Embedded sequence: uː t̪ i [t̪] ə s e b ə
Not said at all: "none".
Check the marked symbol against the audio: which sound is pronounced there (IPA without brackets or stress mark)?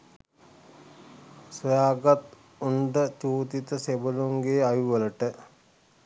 t̪